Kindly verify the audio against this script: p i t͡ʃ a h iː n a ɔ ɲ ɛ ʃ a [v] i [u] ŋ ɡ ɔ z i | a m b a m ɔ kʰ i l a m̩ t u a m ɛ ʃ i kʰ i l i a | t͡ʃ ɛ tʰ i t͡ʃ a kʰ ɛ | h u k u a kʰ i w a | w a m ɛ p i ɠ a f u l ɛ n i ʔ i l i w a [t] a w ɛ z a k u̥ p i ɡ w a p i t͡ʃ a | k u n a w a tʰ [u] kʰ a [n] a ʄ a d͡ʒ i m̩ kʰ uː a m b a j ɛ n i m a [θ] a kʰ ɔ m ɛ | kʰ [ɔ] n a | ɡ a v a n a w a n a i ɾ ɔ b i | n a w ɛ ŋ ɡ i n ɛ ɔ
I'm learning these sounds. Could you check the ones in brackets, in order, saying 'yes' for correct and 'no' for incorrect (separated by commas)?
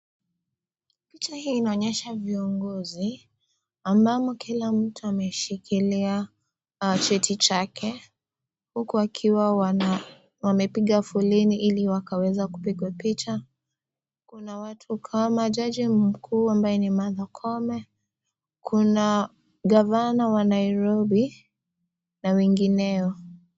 yes, no, no, yes, no, no, no